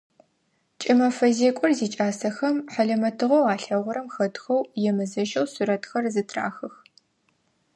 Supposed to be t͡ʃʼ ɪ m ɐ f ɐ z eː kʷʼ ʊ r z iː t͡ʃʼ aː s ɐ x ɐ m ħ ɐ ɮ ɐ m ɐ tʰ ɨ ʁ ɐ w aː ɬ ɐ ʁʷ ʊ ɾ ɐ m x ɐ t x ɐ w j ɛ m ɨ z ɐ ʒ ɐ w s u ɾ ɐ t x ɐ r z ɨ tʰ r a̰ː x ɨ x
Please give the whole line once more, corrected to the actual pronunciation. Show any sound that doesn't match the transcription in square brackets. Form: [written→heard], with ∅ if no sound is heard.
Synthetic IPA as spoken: t͡ʃʼ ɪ m ɐ f ɐ z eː kʷʼ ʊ r z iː t͡ʃʼ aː s ɐ x ɐ m ħ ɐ ɮ ɐ m ɐ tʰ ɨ ʁ ɐ w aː ɬ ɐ ʁʷ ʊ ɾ ɐ m x ɐ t x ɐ w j ɛ m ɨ z ɐ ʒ ɐ w s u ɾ ɐ t x ɐ r z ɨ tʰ r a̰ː x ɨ x